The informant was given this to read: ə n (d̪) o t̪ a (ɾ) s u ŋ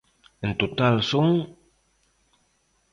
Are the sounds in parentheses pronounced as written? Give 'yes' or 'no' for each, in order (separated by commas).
no, no